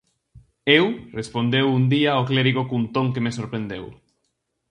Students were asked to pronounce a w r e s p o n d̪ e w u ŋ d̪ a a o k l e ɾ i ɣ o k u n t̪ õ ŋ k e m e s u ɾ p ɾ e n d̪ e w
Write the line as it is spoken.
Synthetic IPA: e w r e s p o n d̪ e w u n d̪ i a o k l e ɾ i ɣ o k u n t̪ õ ŋ k e m e s o ɾ p ɾ e n d̪ e w